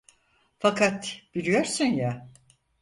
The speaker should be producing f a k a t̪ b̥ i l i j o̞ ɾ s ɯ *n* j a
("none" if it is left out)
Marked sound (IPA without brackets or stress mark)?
n